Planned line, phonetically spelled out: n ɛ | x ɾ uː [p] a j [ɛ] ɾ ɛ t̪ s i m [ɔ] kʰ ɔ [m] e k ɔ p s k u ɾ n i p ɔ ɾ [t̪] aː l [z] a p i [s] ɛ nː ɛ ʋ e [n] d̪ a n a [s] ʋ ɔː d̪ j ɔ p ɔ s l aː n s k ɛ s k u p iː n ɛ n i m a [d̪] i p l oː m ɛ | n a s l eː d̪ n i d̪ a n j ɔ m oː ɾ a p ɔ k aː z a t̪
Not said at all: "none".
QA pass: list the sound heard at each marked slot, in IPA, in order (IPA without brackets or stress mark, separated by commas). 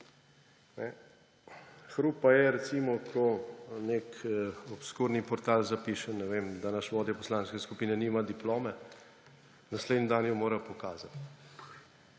p, ɛ, ɔ, n, t̪, z, ʃ, m, ʃ, d̪